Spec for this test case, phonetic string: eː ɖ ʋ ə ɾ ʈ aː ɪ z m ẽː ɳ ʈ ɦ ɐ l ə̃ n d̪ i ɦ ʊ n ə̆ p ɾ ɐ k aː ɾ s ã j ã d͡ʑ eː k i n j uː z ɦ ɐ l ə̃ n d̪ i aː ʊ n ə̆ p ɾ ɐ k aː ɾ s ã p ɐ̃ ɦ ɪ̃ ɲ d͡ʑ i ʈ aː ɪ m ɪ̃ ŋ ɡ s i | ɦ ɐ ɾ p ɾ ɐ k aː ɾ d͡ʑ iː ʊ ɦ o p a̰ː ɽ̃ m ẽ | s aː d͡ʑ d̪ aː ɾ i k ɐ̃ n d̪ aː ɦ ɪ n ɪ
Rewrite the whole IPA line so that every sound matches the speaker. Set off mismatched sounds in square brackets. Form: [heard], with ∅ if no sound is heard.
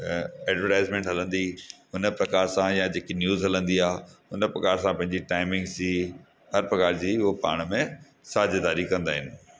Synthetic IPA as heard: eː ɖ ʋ ə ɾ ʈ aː ɪ z m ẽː ɳ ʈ ɦ ɐ l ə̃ n d̪ i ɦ ʊ n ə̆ p ɾ ɐ k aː ɾ s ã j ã d͡ʑ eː k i n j uː z ɦ ɐ l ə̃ n d̪ i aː ʊ n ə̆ p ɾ ɐ k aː ɾ s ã p ɐ̃ ɦ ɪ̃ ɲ d͡ʑ i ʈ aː ɪ m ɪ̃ ŋ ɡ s i | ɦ ɐ ɾ p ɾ ɐ k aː ɾ d͡ʑ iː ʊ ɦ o p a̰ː ɽ̃ m ẽ | s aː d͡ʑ d̪ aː ɾ i k ɐ̃ n d̪ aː ɦ ɪ n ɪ